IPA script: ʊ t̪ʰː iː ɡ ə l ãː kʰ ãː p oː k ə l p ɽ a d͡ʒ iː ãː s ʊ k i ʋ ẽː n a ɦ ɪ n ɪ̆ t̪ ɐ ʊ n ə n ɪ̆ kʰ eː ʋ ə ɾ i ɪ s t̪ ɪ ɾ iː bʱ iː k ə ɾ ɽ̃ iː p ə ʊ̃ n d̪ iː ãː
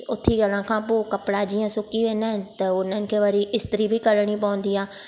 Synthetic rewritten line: ʊ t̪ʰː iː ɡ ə l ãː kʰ ãː p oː k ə p ɽ a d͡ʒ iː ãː s ʊ k i ʋ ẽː n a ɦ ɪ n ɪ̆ t̪ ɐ ʊ n ə n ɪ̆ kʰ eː ʋ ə ɾ i ɪ s t̪ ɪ ɾ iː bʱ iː k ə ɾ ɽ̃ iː p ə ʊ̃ n d̪ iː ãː

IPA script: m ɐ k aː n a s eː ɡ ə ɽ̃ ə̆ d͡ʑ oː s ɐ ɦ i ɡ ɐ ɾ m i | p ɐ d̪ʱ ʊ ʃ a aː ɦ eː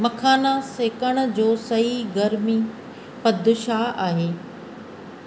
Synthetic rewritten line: m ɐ kʰ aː n a s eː k ə ɽ̃ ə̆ d͡ʑ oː s ɐ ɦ i ɡ ɐ ɾ m i | p ɐ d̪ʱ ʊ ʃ a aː ɦ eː

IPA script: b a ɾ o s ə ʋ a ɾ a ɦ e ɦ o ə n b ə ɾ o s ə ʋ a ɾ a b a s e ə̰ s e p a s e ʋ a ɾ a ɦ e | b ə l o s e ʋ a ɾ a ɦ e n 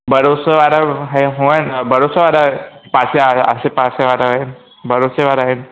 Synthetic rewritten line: b ə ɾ o s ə ʋ a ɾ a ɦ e ɦ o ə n b ə ɾ o s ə ʋ a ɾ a p a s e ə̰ s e p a s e ʋ a ɾ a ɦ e | b ə ɾ o s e ʋ a ɾ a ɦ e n

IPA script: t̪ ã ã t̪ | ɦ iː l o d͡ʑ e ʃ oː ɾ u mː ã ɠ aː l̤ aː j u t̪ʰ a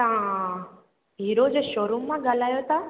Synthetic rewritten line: t̪ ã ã | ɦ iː ɾ o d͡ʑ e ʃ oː ɾ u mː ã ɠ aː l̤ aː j o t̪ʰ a

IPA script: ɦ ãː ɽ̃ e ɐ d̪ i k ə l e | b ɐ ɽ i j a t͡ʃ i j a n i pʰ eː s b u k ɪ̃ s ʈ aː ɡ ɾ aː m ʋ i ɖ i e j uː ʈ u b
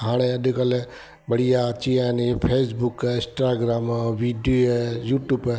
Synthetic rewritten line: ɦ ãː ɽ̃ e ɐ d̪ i k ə l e | b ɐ ɽ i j a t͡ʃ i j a n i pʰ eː s b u k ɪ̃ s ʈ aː ɡ ɾ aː m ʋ i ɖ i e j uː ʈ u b

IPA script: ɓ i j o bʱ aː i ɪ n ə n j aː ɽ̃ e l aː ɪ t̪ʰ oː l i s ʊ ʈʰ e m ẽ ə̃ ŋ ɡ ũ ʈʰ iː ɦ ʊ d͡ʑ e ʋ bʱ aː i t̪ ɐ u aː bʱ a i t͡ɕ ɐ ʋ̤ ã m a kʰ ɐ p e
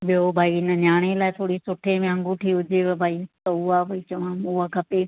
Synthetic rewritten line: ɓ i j o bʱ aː i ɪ n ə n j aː ɽ̃ e l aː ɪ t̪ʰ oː ɽ i s ʊ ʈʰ e m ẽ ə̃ ŋ ɡ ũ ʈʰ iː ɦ ʊ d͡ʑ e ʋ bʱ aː i t̪ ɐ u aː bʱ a i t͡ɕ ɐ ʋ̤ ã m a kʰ ɐ p e

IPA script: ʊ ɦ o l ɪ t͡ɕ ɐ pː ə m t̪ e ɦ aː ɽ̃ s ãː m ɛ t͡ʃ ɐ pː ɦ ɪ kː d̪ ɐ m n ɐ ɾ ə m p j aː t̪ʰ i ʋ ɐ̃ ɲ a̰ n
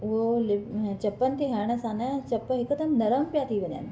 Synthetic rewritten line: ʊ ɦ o l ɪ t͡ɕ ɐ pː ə n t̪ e ɦ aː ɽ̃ s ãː n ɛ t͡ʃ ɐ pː ɦ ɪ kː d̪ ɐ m n ɐ ɾ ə m p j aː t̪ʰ i ʋ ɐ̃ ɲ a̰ n

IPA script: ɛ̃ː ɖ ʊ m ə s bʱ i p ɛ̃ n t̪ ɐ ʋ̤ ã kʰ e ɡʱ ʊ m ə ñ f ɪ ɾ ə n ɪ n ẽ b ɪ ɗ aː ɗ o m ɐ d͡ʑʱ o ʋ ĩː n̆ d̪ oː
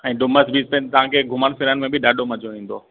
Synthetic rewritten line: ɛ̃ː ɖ ʊ m ə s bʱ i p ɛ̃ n t̪ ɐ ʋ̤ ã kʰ e ɡʱ ʊ m ə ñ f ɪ ɾ ə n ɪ m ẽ b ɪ ɗ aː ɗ o m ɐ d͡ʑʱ o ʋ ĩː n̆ d̪ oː

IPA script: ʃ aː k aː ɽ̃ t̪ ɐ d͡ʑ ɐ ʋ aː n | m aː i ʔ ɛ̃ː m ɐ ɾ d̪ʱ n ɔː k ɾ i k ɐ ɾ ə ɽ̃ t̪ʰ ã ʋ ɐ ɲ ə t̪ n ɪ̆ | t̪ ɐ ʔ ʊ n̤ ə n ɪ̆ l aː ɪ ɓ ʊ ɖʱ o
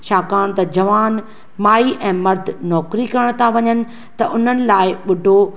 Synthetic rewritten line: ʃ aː k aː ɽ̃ t̪ ɐ d͡ʑ ɐ ʋ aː n | m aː i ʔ ɛ̃ː m ɐ ɾ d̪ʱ n ɔː k ɾ i k ɐ ɾ ə ɽ̃ t̪ʰ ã ʋ ɐ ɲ ə n ɪ̆ | t̪ ɐ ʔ ʊ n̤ ə n ɪ̆ l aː ɪ ɓ ʊ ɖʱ o

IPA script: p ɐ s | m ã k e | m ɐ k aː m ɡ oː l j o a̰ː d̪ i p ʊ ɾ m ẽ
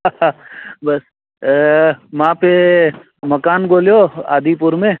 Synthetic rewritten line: b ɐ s | m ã p e | m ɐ k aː n ɡ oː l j o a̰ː d̪ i p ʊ ɾ m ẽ

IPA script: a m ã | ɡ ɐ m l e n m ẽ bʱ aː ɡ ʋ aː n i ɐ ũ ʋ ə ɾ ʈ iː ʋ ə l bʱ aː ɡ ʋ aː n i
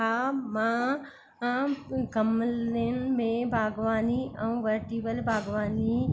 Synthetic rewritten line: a m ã | ɡ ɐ m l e n m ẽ bʱ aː ɡ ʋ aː n i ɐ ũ ʋ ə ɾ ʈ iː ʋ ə l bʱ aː ɡ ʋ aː n i

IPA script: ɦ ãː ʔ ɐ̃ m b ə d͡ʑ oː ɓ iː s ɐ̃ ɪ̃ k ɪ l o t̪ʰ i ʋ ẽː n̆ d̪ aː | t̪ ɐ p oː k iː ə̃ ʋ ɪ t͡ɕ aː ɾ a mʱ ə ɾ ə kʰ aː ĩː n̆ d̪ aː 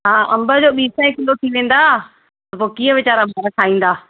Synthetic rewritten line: ɦ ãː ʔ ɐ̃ m b ə d͡ʑ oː ɓ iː s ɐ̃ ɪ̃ k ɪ l o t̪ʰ i ʋ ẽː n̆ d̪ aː | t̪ ɐ p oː k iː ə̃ ʋ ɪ t͡ɕ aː ɾ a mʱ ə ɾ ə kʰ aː ĩː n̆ d̪ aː

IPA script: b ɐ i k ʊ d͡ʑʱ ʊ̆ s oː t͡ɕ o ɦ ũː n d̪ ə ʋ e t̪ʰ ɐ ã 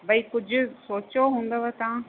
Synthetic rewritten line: b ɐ i k ʊ d͡ʑʱ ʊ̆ s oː t͡ɕ o ɦ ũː n d̪ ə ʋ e t̪ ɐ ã

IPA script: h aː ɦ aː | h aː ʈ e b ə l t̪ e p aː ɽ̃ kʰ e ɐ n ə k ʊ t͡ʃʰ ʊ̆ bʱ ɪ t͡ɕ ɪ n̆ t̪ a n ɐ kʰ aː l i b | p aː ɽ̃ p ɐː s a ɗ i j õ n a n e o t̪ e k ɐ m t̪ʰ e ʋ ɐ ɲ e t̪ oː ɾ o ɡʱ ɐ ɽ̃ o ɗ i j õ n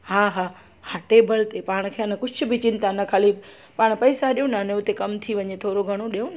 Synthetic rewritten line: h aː ɦ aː | h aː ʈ e b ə l t̪ e p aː ɽ̃ kʰ e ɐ n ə k ʊ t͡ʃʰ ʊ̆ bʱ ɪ t͡ɕ ɪ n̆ t̪ a n ɐ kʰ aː l i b | p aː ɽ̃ p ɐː s a ɗ i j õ n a n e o t̪ e k ɐ m t̪ʰ i ʋ ɐ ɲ e t̪ʰ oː ɾ o ɡʱ ɐ ɽ̃ o ɗ i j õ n

